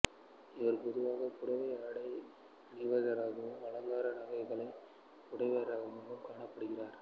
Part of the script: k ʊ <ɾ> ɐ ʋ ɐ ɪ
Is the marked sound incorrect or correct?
incorrect: ɽ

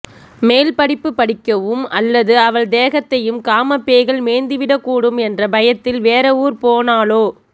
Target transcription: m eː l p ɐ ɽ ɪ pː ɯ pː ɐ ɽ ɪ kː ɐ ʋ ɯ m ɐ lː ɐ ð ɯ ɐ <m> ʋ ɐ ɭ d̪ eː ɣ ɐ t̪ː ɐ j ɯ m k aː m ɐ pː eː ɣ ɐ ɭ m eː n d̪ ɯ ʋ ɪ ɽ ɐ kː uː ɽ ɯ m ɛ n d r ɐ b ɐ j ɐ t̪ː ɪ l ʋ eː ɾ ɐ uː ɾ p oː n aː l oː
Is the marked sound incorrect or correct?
incorrect: none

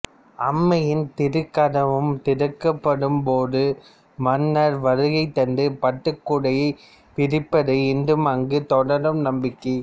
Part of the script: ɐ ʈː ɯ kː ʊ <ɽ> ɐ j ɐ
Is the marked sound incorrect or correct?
correct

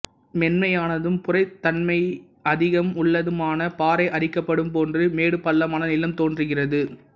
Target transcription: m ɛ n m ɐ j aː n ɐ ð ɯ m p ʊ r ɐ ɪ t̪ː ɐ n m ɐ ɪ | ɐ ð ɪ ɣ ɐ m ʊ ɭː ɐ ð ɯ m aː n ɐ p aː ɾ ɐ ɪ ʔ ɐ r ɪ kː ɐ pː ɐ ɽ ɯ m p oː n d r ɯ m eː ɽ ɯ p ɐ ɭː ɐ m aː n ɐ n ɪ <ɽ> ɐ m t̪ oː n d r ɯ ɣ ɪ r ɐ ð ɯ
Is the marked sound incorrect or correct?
incorrect: l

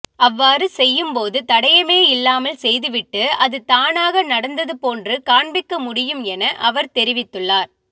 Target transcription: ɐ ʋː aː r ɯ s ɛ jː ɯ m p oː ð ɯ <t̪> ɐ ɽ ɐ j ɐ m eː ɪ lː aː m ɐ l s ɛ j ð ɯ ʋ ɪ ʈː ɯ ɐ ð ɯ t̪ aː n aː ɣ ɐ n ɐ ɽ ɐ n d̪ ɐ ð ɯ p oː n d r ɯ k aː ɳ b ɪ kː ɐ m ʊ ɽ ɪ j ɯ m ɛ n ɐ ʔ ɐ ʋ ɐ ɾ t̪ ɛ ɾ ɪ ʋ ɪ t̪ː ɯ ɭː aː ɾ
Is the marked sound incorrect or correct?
correct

